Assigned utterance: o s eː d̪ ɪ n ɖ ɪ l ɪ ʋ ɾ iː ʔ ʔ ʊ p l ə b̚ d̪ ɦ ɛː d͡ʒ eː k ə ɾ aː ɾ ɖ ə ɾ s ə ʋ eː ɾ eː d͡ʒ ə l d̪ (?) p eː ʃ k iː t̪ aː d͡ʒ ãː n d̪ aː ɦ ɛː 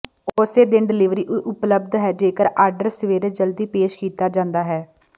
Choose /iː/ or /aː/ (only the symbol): iː